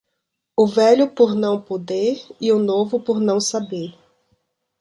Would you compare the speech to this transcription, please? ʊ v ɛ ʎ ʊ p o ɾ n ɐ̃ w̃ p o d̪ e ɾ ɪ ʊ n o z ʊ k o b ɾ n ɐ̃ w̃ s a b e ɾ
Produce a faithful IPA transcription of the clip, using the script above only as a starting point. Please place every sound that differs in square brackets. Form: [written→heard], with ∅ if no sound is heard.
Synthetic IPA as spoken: ʊ v ɛ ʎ ʊ p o ɾ n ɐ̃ w̃ p o d̪ e ɾ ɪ ʊ n o [z→v] ʊ [k→p] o [b→∅] ɾ n ɐ̃ w̃ s a b e ɾ